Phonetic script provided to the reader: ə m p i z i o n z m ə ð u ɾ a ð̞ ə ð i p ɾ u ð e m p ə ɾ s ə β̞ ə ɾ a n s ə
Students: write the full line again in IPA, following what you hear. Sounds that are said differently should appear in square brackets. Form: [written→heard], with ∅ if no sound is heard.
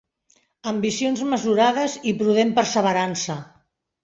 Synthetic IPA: ə m [p→b] i [z→s] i o n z m ə [ð→z] u ɾ a ð̞ ə [ð→z] i p ɾ u ð e m p ə ɾ s ə β̞ ə ɾ a n s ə